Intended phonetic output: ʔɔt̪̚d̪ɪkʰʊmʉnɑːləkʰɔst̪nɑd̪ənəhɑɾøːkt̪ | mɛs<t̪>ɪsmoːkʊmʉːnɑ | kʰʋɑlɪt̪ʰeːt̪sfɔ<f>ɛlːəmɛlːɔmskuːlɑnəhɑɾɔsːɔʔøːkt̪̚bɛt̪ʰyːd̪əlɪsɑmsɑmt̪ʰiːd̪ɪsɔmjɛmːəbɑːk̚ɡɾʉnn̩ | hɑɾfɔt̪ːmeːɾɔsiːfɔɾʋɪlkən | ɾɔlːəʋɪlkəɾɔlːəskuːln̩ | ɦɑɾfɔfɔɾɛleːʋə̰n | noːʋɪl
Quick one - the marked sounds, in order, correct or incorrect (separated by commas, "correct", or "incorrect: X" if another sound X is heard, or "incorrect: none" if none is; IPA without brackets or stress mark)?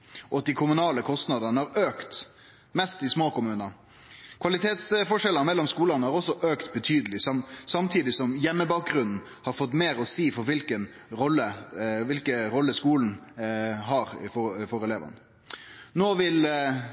correct, incorrect: ʂ